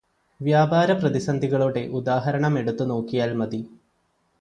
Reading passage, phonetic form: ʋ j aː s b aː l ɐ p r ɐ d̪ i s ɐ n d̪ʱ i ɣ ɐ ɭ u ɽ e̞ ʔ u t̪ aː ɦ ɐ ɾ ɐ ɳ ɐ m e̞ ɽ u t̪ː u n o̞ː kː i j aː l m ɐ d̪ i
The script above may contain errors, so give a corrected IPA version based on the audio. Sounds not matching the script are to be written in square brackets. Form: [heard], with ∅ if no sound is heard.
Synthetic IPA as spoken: ʋ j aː [∅] b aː [ɾ] ɐ p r ɐ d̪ i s ɐ n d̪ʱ i ɣ ɐ ɭ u ɽ e̞ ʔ u [d̪] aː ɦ ɐ ɾ ɐ ɳ ɐ m e̞ ɽ u t̪ː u n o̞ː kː i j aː l m ɐ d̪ i